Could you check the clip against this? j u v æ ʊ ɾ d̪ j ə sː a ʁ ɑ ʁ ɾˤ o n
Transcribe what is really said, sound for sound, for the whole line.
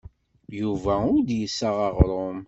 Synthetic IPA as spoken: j u v æ ʊ ɾ d̪ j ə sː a ʁ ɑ ʁ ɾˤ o m